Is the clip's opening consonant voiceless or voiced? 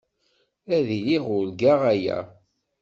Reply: voiced